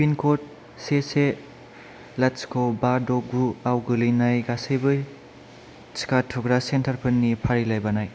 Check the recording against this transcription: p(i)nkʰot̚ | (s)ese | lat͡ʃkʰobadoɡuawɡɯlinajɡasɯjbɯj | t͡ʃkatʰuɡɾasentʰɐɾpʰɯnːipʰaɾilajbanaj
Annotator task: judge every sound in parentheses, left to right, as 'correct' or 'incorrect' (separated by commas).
correct, correct